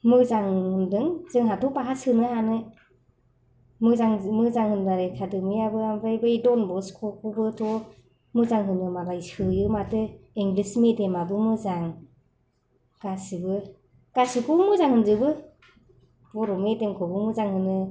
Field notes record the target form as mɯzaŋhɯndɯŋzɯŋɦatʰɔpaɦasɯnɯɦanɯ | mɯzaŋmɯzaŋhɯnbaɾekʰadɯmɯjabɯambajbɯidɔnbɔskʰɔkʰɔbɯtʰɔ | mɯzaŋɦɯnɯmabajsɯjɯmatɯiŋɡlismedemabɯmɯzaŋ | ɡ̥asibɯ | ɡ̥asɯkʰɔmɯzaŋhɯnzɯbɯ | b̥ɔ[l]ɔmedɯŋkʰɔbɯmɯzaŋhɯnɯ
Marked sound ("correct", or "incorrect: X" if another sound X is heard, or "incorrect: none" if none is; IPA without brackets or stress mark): incorrect: ɾ